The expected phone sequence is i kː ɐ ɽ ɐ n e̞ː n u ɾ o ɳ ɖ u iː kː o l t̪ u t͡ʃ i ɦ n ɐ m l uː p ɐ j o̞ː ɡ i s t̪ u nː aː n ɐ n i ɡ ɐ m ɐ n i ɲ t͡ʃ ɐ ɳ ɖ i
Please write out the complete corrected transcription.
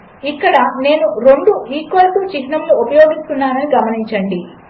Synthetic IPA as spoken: i kː ɐ ɽ ɐ n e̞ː n u ɾ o ɳ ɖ u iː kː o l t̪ u t͡ʃ i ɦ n ɐ m l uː p ɐ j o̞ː ɡ i s t̪ u nː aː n ɐ n i ɡ ɐ m ɐ n i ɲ t͡ʃ ɐ ɳ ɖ i